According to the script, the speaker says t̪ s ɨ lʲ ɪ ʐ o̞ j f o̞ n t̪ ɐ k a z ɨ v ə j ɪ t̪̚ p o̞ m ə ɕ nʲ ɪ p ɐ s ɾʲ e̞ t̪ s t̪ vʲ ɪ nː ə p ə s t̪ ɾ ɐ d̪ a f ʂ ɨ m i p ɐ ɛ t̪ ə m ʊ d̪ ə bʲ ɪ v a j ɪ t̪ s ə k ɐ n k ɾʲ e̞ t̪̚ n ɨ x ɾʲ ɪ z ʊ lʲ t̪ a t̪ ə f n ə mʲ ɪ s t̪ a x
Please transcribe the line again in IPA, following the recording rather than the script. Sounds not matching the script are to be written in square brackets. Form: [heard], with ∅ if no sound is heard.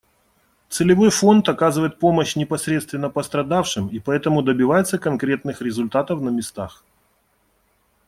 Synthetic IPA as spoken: t̪ s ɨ lʲ ɪ [v] o̞ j f o̞ n t̪ ɐ k a z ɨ v ə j ɪ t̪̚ p o̞ m ə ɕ nʲ ɪ p ɐ s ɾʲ e̞ t̪ s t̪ vʲ ɪ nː ə p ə s t̪ ɾ ɐ d̪ a f ʂ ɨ m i p ɐ ɛ t̪ ə m ʊ d̪ ə bʲ ɪ v a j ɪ t̪ s ə k ɐ n k ɾʲ e̞ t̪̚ n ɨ x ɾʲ ɪ z ʊ lʲ t̪ a t̪ ə f n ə mʲ ɪ s t̪ a x